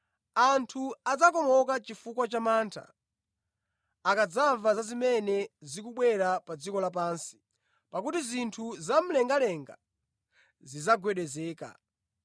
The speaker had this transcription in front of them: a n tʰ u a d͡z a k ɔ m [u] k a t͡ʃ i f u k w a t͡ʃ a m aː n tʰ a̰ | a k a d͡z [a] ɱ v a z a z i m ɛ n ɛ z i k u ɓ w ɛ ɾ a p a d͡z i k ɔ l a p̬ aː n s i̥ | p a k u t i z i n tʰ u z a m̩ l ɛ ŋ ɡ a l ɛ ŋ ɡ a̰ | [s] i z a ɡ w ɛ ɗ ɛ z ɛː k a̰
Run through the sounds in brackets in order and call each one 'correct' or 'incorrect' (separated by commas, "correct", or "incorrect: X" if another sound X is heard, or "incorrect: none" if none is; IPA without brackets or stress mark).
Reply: incorrect: ɔ, correct, incorrect: z